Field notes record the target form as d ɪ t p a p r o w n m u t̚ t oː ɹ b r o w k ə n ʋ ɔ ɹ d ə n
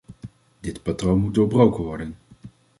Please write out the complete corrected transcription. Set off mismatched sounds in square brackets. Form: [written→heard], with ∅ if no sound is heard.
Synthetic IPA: d ɪ t p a [p→t] r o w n m u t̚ [t→d] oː ɹ b r o w k ə n ʋ ɔ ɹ d ə n

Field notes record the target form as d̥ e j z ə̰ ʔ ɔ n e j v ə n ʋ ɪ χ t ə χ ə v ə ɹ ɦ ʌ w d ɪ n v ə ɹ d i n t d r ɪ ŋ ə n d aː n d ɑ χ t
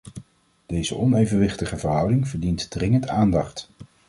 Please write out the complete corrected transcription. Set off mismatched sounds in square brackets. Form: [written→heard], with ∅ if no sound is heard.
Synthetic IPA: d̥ e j z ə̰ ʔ ɔ n e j v ə n ʋ ɪ χ t ə χ ə v ə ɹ ɦ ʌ w d ɪ [n→ŋ] v ə ɹ d i n t d r ɪ ŋ ə n [d→t] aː n d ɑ χ t

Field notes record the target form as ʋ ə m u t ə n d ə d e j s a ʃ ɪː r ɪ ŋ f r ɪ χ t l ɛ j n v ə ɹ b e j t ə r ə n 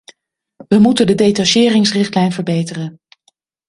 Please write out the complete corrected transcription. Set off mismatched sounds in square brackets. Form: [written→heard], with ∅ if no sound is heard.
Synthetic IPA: ʋ ə m u t ə n d ə d e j [s→t] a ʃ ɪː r ɪ ŋ [f→s] r ɪ χ t l ɛ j n v ə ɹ b e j t ə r ə n

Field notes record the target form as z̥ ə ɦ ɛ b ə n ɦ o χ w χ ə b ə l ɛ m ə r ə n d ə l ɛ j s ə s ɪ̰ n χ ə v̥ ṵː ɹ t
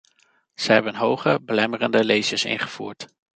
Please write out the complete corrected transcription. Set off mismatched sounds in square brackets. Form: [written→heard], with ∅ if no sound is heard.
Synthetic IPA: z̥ ə ɦ ɛ b ə n ɦ o [χ→∅] w χ ə b ə l ɛ m ə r ə n d ə l [ɛ→e] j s ə s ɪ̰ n χ ə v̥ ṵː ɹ t

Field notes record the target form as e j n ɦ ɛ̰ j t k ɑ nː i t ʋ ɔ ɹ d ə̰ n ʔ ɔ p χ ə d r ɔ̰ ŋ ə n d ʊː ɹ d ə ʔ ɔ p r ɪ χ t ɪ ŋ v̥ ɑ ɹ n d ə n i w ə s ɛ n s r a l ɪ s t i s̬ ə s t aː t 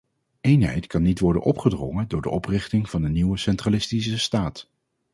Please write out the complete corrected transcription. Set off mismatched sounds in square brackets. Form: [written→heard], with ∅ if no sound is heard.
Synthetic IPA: e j n ɦ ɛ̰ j t k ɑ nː i t ʋ ɔ ɹ d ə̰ n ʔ ɔ p χ ə d r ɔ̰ ŋ ə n d ʊː ɹ d ə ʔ ɔ p r ɪ χ t ɪ ŋ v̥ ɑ [ɹ→∅] n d ə n i w ə s ɛ n [s→t] r a l ɪ s t i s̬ ə s t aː t

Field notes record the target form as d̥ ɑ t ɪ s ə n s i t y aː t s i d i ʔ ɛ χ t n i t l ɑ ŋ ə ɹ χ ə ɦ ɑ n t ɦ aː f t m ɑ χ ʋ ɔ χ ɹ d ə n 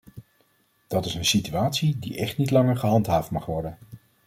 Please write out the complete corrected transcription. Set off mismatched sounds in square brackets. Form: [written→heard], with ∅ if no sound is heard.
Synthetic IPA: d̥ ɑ t ɪ s ə n s i t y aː t s i d i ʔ ɛ χ t n i t l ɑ ŋ ə ɹ χ ə ɦ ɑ n t ɦ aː f t m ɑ χ ʋ ɔ [χ→∅] ɹ d ə n

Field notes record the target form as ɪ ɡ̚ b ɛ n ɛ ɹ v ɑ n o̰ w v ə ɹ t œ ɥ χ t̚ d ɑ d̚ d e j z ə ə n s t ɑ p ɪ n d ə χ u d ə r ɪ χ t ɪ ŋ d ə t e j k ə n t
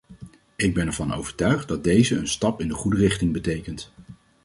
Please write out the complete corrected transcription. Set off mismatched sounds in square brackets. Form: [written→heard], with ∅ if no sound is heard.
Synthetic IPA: ɪ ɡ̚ b ɛ n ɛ ɹ v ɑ n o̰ w v ə ɹ t œ ɥ χ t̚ d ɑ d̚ d e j z ə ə n s t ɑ p ɪ n d ə χ u d ə r ɪ χ t ɪ ŋ [d→b] ə t e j k ə n t

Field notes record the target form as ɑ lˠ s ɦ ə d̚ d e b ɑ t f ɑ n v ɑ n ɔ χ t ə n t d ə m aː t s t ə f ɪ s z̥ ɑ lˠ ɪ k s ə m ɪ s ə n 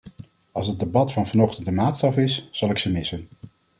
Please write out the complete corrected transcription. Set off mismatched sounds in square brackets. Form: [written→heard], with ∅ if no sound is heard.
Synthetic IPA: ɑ lˠ s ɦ ə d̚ d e b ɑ t f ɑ n v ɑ n ɔ χ t ə n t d ə m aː t s t [ə→ɑ] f ɪ s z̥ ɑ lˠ ɪ k s ə m ɪ s ə n

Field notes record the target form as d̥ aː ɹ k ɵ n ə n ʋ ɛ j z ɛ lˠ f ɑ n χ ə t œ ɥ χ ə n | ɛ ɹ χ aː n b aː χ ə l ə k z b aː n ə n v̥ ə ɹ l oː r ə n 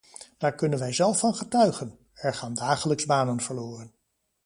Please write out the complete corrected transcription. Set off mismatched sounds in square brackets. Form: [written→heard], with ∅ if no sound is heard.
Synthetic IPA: d̥ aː ɹ k ɵ n ə n ʋ ɛ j z ɛ lˠ f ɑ n χ ə t œ ɥ χ ə n | ɛ ɹ χ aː n [b→d] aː χ ə l ə k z b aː n ə n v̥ ə ɹ l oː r ə n

